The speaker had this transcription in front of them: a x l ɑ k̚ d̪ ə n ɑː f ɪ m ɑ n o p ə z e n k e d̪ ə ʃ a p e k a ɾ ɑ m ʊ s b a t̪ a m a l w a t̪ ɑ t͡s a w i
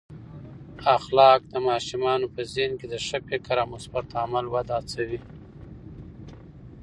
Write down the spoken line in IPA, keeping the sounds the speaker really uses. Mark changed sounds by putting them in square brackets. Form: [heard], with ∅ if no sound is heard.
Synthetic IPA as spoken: a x l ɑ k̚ d̪ ə [m] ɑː [ʃ] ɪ m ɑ n o p ə z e n k e d̪ ə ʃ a p e k a ɾ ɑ m ʊ s b a t̪ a m a l w a [d̪] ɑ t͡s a w i